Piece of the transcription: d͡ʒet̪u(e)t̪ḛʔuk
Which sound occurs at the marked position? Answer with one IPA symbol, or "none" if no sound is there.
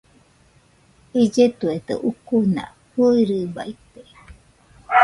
e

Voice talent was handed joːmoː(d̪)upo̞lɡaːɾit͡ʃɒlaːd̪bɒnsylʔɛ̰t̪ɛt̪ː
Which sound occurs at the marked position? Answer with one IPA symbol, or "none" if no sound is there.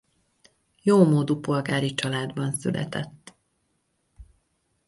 d̪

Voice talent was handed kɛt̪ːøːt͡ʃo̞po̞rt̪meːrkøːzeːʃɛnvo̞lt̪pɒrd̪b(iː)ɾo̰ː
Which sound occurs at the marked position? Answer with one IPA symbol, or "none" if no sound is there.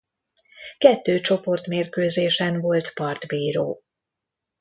iː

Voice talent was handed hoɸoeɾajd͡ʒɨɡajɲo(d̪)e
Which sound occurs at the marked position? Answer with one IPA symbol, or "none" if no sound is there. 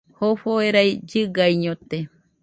t̪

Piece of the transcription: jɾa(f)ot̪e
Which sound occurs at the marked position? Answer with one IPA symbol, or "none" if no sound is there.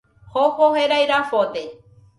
f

